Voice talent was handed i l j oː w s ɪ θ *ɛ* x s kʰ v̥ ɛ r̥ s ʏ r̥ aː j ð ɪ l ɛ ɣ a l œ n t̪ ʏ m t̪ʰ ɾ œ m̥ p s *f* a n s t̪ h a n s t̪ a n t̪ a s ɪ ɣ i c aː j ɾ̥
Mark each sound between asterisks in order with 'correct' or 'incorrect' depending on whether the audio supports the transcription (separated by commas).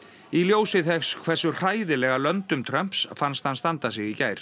correct, correct